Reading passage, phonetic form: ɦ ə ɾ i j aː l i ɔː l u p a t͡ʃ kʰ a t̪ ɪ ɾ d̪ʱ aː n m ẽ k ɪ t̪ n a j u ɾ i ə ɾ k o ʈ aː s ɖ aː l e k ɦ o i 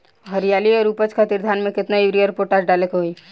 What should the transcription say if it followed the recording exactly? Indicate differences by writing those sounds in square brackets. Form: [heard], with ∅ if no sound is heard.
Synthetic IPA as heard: ɦ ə ɾ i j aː l i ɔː [ɾ] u p [ə] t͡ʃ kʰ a t̪ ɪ ɾ d̪ʱ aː n m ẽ k ɪ t̪ n a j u ɾ i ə ɾ [p] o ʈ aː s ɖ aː l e k ɦ o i